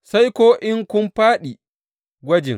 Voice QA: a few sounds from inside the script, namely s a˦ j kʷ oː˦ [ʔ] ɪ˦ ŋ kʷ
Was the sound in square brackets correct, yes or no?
yes